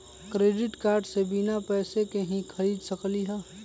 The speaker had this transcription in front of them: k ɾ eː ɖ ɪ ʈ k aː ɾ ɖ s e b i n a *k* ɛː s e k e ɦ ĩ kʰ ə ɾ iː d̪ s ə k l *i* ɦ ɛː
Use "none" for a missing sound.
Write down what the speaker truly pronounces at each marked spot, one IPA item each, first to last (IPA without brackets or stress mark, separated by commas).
p, i